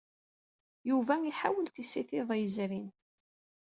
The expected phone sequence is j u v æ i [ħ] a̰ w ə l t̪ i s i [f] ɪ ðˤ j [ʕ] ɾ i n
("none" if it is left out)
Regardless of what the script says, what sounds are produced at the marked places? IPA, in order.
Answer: ħ, θ, z

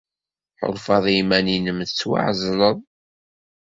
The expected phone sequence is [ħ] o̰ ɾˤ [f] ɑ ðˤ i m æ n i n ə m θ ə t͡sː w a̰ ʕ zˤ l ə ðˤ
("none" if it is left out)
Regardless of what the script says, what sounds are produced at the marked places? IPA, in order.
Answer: ħ, f

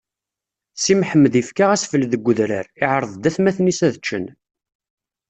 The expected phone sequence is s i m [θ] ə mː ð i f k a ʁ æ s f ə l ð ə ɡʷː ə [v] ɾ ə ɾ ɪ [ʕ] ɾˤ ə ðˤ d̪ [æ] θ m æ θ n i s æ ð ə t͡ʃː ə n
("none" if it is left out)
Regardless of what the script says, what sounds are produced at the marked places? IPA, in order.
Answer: ħ, ð, ʕ, æ

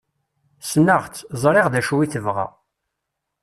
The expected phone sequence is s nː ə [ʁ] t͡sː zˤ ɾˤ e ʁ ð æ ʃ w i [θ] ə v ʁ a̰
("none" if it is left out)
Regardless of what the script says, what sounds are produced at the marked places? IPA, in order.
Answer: ʁ, θ

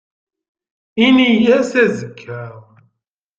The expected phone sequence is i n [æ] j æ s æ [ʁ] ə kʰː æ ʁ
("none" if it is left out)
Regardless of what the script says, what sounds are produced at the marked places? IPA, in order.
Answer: i, z

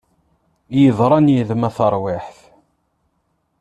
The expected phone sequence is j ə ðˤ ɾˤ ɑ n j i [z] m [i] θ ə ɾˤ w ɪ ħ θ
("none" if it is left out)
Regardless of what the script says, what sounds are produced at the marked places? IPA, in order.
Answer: ð, æ

